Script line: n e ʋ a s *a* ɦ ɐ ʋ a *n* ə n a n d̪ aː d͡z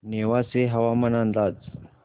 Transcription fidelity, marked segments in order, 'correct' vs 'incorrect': incorrect: e, incorrect: m

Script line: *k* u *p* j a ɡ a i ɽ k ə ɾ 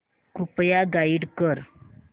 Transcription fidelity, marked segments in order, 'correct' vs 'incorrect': correct, correct

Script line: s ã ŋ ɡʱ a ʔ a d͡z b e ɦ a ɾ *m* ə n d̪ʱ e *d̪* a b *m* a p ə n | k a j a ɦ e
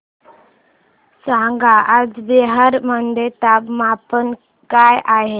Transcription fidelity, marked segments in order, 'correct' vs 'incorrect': correct, incorrect: t̪, correct

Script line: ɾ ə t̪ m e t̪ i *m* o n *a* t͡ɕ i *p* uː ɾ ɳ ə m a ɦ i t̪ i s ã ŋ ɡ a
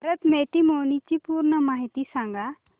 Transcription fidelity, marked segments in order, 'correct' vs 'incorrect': correct, incorrect: i, correct

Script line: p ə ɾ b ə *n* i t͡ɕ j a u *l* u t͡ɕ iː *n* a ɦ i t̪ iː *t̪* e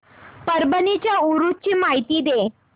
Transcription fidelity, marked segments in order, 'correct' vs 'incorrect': correct, incorrect: ɾ, incorrect: m, incorrect: d̪

